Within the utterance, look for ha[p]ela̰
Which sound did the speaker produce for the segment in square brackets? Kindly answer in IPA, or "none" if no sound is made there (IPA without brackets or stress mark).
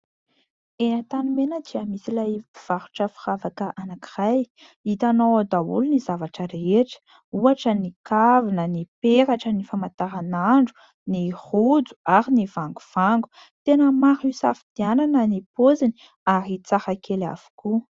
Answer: k